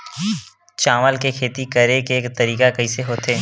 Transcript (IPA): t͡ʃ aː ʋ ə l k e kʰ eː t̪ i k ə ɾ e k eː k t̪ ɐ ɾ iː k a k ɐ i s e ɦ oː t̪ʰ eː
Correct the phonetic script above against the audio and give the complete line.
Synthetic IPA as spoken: t͡ʃ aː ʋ ə l k e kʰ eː t̪ i k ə ɾ e k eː k t̪ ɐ ɾ iː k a k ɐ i s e ɦ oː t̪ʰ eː